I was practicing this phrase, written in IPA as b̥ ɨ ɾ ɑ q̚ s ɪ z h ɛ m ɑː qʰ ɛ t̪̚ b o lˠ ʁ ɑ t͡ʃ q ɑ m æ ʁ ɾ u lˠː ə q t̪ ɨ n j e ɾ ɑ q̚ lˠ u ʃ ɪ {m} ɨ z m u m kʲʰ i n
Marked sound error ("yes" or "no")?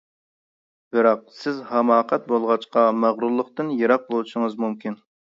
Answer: yes